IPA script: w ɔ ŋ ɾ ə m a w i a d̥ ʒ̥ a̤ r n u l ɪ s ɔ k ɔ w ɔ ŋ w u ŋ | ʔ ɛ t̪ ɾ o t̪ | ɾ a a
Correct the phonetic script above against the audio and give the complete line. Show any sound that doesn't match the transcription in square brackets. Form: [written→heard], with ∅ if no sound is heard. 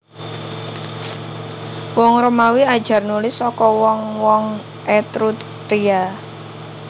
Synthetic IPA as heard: w ɔ ŋ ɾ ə m a w i a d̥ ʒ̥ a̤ r n u l ɪ s ɔ k ɔ w ɔ ŋ w [u→ɔ] ŋ | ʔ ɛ t̪ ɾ [o→u] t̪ | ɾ [a→i] a